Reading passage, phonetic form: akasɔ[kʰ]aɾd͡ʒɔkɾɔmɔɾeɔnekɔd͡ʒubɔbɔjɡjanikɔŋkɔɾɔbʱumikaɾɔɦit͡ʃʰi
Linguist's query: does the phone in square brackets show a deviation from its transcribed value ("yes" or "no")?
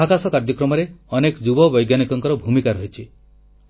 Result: yes